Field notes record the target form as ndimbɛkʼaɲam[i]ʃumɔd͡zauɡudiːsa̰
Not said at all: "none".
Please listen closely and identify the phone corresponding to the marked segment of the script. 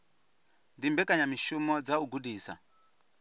i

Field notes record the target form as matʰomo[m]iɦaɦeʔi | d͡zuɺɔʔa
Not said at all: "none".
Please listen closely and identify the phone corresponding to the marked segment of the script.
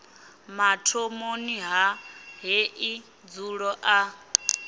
n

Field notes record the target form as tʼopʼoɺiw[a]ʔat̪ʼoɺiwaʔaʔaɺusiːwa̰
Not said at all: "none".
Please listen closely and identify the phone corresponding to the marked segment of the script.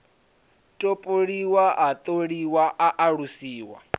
a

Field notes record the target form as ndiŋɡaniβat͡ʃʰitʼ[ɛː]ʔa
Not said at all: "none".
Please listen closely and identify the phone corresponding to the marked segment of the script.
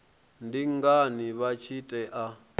ɛ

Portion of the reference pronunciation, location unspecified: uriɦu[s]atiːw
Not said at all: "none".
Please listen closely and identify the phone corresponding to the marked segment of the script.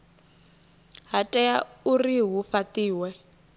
f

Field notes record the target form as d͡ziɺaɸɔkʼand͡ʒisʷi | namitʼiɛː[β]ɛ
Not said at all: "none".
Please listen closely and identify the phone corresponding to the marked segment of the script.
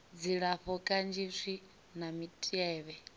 β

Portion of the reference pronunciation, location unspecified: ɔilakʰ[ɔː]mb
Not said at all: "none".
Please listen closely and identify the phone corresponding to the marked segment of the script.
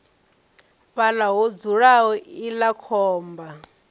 ɔː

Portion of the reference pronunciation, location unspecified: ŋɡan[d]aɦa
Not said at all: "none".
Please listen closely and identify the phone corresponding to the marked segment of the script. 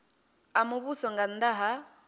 d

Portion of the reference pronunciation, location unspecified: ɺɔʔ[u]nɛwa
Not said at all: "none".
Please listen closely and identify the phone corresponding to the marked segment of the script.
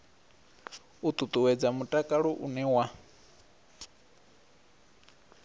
u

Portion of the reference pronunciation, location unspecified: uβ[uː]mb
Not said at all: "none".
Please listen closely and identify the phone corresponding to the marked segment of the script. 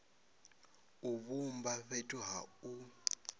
u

